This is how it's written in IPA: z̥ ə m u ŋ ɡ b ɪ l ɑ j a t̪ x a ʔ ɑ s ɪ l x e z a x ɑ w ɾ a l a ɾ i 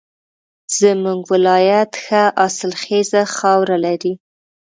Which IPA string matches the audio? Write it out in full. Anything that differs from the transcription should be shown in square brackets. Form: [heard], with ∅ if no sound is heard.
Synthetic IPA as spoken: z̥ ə m u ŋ ɡ [w] ɪ l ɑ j a t̪ x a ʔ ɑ s ɪ l x e z a x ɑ w ɾ a l a ɾ i